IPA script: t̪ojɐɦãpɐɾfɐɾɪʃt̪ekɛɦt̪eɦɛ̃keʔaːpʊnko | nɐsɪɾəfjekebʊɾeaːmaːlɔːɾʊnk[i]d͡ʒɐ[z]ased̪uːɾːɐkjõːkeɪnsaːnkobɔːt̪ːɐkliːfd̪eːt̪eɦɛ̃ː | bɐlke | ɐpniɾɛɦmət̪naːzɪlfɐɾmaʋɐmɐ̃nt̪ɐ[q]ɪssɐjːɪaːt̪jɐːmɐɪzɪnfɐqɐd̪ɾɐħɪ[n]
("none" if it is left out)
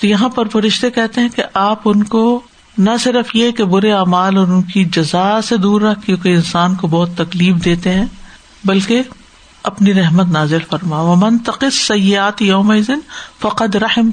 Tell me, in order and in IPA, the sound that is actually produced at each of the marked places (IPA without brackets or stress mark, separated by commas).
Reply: i, z, q, m